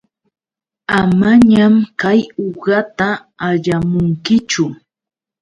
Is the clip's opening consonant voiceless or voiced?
voiced